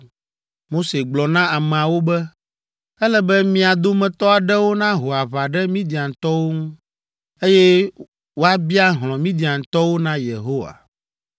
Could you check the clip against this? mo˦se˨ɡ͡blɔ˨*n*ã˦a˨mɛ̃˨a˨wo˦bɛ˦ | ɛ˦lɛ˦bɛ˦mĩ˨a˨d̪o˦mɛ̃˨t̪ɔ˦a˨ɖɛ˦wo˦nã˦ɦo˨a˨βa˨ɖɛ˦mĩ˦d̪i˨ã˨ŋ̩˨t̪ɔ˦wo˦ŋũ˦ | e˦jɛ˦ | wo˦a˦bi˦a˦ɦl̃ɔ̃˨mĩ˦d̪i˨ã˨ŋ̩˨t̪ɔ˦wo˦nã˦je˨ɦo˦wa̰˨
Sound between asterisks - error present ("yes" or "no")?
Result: no